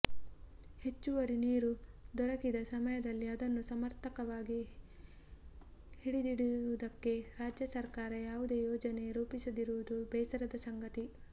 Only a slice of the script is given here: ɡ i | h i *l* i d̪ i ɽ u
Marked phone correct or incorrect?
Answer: incorrect